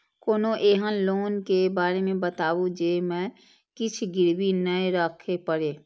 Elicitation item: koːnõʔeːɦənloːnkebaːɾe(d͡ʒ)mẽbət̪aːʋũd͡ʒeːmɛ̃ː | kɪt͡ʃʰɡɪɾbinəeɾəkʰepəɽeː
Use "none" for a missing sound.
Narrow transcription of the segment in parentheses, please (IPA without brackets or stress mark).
none